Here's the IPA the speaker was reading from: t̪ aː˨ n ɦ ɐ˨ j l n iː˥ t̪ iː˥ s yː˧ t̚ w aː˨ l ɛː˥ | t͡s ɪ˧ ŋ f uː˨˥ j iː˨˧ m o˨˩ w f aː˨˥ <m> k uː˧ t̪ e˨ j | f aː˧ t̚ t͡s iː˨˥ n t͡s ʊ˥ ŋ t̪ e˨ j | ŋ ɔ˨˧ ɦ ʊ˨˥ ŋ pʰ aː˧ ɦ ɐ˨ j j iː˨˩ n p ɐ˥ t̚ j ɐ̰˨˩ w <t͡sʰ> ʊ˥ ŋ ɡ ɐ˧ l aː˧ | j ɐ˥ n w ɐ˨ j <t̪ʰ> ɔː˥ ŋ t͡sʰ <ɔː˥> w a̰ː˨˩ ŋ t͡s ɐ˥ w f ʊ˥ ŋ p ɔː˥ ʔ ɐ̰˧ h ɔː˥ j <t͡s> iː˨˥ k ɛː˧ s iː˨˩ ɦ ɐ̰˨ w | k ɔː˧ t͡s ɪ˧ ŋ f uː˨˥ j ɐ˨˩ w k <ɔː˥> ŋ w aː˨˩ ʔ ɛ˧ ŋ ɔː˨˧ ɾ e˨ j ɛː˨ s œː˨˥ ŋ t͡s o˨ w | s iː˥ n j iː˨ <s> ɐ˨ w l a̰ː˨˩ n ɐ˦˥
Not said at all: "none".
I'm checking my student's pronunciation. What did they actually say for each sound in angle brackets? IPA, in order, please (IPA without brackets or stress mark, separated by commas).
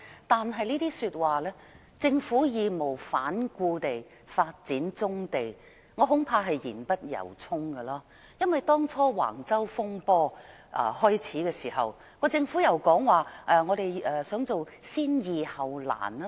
n, t͡sʰ, t̪, ɔː˥, t͡sʰ, ɔː˨˥, h